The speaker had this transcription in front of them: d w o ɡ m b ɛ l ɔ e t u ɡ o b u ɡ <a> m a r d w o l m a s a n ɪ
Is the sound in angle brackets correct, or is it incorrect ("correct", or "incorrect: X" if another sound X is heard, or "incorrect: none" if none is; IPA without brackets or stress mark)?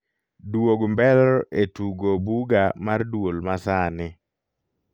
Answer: correct